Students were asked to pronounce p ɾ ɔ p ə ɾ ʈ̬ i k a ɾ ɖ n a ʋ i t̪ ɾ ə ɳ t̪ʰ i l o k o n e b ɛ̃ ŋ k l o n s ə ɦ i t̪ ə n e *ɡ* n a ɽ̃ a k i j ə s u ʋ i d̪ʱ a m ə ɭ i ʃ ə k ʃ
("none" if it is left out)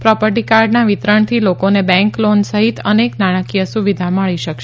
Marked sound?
k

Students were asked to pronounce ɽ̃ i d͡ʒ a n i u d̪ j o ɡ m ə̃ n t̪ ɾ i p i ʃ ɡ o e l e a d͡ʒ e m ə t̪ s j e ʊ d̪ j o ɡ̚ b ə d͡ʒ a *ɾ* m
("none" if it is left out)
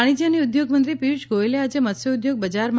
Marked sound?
ɾ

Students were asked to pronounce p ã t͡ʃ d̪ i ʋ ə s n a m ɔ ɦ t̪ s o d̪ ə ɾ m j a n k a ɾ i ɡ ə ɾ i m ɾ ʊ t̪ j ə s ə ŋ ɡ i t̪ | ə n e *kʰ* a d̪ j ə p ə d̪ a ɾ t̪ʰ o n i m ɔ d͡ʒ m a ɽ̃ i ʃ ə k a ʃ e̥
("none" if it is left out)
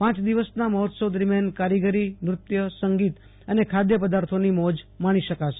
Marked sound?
kʰ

